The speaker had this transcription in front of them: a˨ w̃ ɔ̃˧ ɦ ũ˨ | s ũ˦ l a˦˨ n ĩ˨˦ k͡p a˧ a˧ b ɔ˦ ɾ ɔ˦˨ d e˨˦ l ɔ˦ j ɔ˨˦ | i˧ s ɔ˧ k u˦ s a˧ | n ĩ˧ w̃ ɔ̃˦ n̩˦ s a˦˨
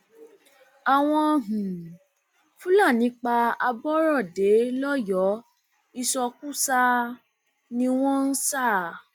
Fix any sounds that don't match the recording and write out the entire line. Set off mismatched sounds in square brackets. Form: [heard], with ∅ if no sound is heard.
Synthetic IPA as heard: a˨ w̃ ɔ̃˧ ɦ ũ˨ | [f] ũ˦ l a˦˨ n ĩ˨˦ k͡p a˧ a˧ b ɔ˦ ɾ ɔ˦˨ d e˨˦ l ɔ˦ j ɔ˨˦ | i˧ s ɔ˧ k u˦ s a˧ | n ĩ˧ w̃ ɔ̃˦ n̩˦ s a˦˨